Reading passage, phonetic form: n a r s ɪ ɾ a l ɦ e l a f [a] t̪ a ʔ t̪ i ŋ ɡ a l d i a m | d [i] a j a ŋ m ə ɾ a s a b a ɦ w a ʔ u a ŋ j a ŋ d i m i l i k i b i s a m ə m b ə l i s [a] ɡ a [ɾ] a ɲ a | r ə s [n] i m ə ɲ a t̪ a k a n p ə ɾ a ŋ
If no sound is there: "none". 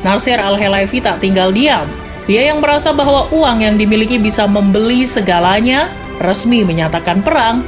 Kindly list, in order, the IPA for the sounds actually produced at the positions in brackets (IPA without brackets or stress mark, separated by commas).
i, i, ə, l, m